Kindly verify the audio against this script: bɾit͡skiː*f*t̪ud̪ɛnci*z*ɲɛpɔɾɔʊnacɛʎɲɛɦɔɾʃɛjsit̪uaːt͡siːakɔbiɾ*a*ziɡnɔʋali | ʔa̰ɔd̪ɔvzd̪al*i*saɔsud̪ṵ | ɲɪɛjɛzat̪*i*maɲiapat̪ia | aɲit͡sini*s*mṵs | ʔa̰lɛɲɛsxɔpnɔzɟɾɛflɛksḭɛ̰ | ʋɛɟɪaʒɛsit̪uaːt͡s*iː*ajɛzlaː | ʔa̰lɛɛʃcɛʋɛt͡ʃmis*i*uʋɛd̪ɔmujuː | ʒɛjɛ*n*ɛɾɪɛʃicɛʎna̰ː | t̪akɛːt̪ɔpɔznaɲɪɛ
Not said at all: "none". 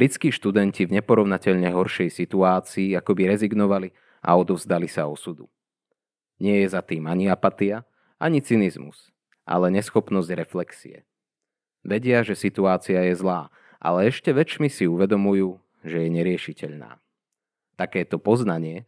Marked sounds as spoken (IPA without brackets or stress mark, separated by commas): ʃ, v, ɛ, i, iː, z, i, i, ɲ